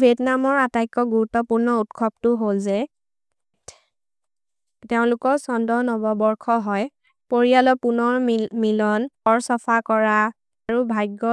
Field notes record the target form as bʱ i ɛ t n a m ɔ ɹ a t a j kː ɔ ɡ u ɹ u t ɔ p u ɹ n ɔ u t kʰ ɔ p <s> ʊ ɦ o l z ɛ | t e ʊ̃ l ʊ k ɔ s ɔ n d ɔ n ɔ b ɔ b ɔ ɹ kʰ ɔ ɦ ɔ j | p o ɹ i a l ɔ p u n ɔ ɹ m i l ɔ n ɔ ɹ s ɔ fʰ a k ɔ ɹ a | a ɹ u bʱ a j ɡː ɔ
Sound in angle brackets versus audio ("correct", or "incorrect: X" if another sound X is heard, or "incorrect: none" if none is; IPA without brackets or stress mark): incorrect: t